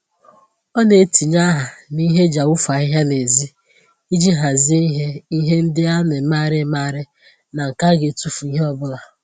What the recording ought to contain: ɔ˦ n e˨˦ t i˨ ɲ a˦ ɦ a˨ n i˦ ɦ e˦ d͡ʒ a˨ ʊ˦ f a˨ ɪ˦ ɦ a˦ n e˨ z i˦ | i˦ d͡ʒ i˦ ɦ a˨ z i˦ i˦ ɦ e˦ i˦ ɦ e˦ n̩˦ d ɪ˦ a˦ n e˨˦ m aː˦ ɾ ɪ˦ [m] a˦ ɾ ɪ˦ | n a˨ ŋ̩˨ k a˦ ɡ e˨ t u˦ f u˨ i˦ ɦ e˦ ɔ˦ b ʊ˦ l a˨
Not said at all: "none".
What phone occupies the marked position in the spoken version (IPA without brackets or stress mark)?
m